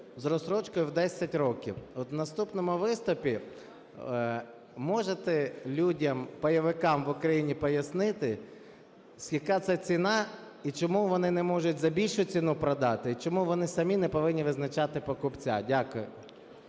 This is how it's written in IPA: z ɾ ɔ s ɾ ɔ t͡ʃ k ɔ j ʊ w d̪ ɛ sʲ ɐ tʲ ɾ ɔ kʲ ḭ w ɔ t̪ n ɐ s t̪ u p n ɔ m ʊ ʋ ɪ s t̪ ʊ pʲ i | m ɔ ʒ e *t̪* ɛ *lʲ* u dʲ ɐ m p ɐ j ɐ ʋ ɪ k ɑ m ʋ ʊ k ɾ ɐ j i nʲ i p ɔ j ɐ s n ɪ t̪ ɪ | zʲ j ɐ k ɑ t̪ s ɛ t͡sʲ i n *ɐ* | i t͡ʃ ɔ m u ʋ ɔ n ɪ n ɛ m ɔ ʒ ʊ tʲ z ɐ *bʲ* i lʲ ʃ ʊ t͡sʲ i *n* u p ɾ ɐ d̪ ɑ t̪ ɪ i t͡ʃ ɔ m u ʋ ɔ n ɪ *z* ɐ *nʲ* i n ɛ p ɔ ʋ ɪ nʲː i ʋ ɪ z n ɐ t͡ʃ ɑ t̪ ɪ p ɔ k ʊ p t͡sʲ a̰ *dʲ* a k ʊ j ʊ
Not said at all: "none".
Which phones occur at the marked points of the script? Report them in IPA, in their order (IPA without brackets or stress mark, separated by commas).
t̪, lʲ, ɑ, bʲ, n, s, mʲ, dʲ